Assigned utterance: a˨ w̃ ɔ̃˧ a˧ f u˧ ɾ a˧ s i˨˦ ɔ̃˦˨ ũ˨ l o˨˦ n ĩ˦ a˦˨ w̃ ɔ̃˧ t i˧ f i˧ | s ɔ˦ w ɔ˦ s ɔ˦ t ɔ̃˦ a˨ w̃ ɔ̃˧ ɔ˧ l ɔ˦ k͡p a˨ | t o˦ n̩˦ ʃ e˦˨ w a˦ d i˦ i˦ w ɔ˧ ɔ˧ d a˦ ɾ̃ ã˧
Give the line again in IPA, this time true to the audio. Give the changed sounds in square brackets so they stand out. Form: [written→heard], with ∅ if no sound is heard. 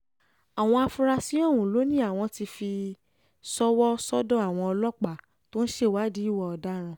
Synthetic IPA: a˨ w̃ ɔ̃˧ a˧ f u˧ ɾ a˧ s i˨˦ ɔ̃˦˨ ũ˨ l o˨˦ n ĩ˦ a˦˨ w̃ ɔ̃˧ t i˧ f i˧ | s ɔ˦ w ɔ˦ s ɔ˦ [t→d] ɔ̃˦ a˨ w̃ ɔ̃˧ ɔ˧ l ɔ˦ k͡p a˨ | t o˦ n̩˦ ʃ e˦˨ w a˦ d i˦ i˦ w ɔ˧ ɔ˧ d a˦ ɾ̃ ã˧

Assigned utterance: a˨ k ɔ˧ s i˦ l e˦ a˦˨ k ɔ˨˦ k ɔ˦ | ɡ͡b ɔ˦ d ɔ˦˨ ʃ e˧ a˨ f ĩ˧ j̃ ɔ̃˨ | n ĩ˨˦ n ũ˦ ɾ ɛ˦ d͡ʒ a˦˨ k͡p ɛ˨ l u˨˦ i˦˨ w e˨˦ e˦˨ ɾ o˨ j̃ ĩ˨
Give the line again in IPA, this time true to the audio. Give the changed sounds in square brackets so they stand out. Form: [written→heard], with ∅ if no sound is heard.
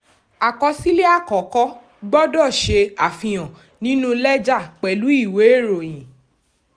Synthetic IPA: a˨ k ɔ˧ s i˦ l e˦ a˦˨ k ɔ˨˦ k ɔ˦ | ɡ͡b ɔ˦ d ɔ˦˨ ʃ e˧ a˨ f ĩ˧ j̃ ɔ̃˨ | n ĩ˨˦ n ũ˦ [ɾ→l] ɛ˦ d͡ʒ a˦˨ k͡p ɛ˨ l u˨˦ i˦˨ w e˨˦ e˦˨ ɾ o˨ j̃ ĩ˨

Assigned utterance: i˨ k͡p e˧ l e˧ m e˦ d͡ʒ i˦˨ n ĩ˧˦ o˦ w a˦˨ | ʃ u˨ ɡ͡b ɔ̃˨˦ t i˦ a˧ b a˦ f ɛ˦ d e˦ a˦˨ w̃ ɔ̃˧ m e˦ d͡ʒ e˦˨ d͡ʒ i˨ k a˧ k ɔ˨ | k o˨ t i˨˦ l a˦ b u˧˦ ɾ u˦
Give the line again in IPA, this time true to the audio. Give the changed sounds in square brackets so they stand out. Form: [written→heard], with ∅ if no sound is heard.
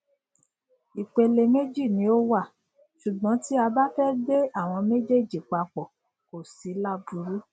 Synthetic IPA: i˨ k͡p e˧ l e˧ m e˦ d͡ʒ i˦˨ n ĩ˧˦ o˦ w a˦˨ | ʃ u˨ ɡ͡b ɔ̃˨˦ t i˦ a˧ b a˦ f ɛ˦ d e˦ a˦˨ w̃ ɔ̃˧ m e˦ d͡ʒ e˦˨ d͡ʒ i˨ [k→k͡p] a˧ [k→k͡p] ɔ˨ | k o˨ [t→s] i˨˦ l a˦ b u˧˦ ɾ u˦

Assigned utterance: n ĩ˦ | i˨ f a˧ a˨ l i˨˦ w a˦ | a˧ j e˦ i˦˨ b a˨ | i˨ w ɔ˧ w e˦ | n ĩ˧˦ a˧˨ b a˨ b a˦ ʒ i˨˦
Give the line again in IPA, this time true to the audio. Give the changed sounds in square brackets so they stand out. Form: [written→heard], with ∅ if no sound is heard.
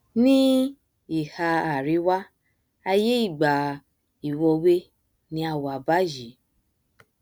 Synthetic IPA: n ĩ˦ | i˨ [f→h] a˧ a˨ [l→ɾ] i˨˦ w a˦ | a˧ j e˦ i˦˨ [b→ɡ͡b] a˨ | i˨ w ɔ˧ w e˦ | n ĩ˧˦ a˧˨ [b→w] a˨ b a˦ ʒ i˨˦

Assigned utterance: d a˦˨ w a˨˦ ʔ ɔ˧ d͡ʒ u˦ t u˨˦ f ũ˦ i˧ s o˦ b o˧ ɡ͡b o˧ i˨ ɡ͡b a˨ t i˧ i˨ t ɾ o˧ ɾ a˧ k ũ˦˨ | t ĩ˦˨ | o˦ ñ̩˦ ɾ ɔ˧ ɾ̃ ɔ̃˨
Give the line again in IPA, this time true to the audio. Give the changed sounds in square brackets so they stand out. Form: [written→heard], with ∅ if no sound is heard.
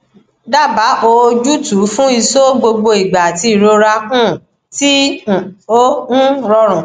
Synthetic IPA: d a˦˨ [w→b] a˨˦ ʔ [ɔ˧→o˧] d͡ʒ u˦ t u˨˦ f ũ˦ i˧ s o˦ [b→ɡ͡b] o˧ ɡ͡b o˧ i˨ ɡ͡b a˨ t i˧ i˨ [t→∅] ɾ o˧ ɾ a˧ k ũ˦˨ | t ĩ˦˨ | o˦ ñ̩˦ ɾ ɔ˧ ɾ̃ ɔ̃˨

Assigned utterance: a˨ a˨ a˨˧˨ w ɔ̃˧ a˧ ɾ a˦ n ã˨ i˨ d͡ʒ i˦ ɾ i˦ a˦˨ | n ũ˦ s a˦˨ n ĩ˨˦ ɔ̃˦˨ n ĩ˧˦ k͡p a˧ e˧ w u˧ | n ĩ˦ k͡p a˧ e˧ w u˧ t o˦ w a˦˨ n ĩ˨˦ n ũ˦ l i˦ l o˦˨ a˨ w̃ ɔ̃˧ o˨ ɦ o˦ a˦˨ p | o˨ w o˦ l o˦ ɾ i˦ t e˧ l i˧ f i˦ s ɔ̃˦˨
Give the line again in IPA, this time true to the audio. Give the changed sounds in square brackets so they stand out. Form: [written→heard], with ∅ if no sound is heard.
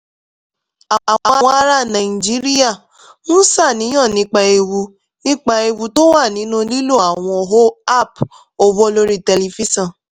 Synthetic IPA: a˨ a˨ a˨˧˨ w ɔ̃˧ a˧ ɾ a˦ n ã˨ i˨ d͡ʒ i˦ ɾ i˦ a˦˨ | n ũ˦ s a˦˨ n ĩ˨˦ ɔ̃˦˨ n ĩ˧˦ k͡p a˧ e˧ w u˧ | n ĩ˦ k͡p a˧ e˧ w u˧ t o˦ w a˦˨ n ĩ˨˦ n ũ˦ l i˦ l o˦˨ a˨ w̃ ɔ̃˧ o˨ ɦ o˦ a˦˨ p | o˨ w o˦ l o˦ ɾ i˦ t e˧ l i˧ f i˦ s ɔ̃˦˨

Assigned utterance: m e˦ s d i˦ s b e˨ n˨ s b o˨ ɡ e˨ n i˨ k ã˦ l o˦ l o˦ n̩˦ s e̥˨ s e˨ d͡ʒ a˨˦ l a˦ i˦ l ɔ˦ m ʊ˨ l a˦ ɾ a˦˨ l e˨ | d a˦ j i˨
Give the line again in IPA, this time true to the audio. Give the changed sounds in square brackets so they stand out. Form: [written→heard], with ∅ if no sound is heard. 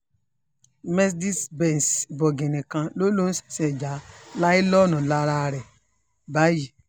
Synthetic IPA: m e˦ s d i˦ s b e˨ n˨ s b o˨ ɡ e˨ n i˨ k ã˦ l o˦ l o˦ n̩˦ s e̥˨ s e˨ d͡ʒ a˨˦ l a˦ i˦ l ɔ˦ [m→n] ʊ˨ l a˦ ɾ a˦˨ [l→ɾ] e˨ | [d→b] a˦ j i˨

